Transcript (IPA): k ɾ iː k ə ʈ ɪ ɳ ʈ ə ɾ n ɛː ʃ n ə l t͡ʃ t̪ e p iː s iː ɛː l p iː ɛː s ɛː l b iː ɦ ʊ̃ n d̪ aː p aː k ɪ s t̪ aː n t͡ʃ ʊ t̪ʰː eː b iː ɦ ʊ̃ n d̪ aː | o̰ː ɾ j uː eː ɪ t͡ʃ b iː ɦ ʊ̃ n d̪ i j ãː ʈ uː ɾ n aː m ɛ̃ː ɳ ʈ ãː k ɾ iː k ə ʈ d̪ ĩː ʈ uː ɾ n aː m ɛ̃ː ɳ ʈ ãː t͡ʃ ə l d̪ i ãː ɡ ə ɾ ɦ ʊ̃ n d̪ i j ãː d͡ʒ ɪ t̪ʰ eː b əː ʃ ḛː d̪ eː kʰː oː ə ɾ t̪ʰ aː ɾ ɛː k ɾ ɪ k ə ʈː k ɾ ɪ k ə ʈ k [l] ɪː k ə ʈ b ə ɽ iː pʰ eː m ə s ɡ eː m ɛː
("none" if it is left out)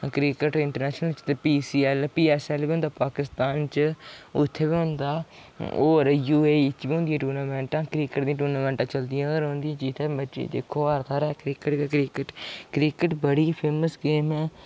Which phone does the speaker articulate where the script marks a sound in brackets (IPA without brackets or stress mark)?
ɾ